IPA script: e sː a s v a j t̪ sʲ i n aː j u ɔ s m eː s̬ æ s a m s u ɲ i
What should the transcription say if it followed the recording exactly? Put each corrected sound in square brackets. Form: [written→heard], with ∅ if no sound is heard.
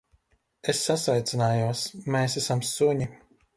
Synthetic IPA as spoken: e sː a s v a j t̪ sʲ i n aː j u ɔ s m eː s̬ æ s a m s u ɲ i